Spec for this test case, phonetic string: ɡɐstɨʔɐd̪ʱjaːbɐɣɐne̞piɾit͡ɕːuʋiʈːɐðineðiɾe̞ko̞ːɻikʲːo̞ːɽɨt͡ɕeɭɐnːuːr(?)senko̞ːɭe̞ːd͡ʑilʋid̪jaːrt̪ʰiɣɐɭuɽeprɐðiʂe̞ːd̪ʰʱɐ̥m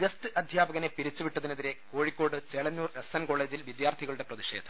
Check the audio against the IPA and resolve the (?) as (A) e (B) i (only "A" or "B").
A